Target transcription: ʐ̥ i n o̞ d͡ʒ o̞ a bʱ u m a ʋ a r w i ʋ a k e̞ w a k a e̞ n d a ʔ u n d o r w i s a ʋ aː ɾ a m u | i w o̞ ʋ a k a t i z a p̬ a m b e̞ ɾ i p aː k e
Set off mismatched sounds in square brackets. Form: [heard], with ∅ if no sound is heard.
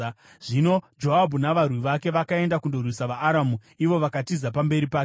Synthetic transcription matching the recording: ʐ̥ i n o̞ d͡ʒ o̞ a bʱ u [n] a ʋ a r w i ʋ a k e̞ [ʋ] a k a e̞ n d a [k] u n d o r w i s a ʋ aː ɾ a m u | i [ʋ] o̞ ʋ a k a t i z a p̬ a m b e̞ ɾ i p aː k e

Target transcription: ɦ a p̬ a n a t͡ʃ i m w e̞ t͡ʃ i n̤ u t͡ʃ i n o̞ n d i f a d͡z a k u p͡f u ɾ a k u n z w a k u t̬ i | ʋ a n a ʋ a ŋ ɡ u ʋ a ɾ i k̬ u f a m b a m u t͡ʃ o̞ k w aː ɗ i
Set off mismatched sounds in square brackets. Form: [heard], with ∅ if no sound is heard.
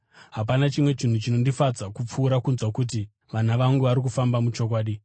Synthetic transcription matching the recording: ɦ a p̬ a n a t͡ʃ i m w e̞ t͡ʃ i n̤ u t͡ʃ i n o̞ n d i f a d͡z a k u p͡f [uː] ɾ a k u n z w a k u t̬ i | ʋ a n a ʋ a ŋ ɡ u ʋ a ɾ i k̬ u f a m b a m u t͡ʃ o̞ k w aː ɗ i

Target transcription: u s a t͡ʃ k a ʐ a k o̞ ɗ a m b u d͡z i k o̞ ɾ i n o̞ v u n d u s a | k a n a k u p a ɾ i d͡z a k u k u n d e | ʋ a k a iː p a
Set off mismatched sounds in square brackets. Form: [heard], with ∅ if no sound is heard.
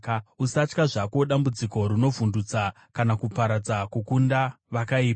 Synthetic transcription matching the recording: u s a t͡ʃ k a ʐ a k o̞ ɗ a m b u d͡z i k o̞ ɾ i n o̞ v u n d u [t͡s] a | k a n a k u p a ɾ [a] d͡z a k u k u n d [a] | ʋ a k a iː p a

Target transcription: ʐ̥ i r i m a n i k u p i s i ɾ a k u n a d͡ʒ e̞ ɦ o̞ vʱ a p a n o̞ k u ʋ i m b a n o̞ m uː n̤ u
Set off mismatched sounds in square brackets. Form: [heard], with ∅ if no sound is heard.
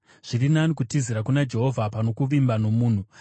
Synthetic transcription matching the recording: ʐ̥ i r i [n] a n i k u [t] i [z] i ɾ a k u n a d͡ʒ e̞ ɦ o̞ vʱ a p a n o̞ k u ʋ i m b a n o̞ m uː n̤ u

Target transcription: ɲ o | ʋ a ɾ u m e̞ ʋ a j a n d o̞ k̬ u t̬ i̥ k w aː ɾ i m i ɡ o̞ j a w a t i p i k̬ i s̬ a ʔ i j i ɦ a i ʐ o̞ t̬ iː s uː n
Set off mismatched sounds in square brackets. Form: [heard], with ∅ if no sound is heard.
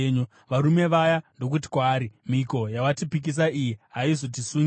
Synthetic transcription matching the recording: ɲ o | ʋ a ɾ u m e̞ ʋ a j a n d o̞ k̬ u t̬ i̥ k w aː ɾ i m i [k] o̞ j a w a t i p i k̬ i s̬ a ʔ i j i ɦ a i [z] o̞ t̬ [i] s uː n

